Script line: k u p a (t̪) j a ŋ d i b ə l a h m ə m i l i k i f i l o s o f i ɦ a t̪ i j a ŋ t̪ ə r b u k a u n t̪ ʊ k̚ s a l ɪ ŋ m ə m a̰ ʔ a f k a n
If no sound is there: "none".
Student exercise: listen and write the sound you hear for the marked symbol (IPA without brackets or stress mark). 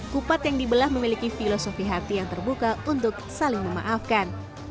t̪